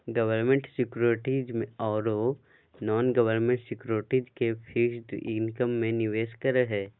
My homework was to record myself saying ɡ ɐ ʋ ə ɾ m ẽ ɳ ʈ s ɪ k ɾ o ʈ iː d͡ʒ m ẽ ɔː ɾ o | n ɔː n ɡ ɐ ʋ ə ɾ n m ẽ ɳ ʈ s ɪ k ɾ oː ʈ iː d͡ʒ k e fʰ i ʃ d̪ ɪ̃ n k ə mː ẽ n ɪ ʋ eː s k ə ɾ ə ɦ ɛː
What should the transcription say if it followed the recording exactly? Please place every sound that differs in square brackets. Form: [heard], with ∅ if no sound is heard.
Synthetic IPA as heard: ɡ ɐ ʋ ə ɾ m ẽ ɳ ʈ s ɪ k ɾ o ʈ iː d͡ʒ m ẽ ɔː ɾ o | n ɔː n ɡ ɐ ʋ ə ɾ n m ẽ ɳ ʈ s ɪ k ɾ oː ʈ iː d͡ʒ k e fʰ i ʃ d̪ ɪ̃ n k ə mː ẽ n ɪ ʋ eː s k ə ɾ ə ɦ ɛː